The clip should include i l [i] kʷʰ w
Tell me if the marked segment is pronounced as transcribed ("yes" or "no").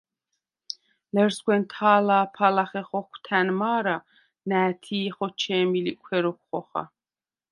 yes